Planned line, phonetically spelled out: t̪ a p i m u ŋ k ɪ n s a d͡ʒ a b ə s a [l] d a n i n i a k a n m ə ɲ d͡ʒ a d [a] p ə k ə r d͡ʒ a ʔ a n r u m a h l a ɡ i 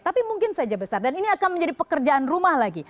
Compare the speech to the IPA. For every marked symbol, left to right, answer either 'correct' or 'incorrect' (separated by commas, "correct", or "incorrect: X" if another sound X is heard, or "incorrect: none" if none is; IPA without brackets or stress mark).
incorrect: r, incorrect: i